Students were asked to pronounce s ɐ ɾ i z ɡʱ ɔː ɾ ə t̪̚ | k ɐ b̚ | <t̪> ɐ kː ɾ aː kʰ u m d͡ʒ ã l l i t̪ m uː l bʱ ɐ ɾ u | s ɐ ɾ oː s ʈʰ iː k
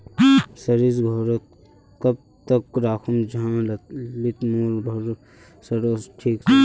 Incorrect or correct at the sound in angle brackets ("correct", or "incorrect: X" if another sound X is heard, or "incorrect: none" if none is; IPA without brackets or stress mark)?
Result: correct